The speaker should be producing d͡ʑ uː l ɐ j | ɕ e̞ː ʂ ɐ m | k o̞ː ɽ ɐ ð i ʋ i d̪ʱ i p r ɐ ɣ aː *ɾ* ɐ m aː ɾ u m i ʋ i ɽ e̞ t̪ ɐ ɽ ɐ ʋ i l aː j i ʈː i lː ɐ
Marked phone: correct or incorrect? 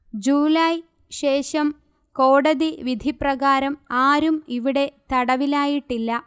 correct